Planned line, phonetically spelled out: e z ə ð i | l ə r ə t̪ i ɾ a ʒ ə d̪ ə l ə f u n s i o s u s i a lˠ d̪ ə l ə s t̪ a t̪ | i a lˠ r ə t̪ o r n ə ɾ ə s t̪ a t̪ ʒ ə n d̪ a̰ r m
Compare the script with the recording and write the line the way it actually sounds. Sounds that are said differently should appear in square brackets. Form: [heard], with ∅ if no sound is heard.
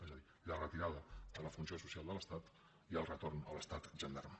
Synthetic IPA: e z ə ð i | l ə r ə t̪ i ɾ a [ð] ə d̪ ə l ə f u n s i o s u s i a lˠ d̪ ə l ə s t̪ a t̪ | i [ə] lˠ r ə t̪ o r n ə [l] ə s t̪ a t̪ ʒ ə n d̪ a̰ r m